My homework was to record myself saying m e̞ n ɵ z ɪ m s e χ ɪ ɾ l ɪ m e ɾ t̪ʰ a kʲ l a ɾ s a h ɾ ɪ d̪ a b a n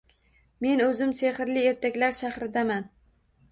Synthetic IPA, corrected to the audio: m e̞ n ɵ z ɪ m s e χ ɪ ɾ l ɪ e ɾ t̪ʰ a kʲ l a ɾ ʃ a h ɾ ɪ d̪ a m a n